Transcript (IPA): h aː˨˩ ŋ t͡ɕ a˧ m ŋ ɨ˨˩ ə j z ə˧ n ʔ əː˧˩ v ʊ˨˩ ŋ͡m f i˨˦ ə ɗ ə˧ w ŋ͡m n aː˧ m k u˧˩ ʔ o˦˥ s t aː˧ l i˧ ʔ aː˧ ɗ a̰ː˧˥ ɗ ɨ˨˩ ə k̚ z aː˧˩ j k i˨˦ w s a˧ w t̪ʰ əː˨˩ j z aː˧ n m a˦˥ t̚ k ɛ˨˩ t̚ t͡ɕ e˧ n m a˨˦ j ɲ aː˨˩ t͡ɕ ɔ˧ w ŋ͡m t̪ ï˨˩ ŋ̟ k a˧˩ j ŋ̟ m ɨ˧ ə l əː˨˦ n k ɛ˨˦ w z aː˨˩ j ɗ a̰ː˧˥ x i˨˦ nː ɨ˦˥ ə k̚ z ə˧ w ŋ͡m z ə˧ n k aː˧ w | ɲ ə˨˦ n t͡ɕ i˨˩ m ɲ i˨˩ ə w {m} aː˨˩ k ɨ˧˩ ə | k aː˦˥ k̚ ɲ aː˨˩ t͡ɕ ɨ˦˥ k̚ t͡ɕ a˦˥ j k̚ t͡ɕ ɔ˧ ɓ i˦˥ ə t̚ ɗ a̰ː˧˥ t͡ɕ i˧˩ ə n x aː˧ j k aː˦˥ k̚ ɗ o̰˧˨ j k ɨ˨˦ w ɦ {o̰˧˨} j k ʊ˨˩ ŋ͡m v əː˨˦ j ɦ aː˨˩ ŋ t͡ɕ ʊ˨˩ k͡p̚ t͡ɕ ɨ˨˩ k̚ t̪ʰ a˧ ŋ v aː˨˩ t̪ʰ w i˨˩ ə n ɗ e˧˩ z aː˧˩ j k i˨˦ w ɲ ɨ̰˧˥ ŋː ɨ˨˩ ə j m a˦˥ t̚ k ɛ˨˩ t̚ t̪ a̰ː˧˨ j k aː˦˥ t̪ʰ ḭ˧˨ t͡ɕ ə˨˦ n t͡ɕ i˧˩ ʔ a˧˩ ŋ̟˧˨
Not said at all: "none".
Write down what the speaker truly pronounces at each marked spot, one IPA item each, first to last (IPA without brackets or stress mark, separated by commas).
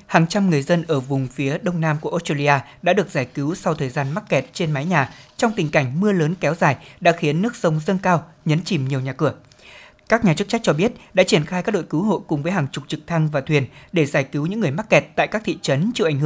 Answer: ɲ, o̰˧˨